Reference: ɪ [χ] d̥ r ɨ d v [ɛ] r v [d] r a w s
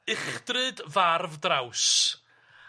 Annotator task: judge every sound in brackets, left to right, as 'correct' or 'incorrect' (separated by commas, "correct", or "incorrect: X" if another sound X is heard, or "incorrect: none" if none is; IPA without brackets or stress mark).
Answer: correct, incorrect: a, correct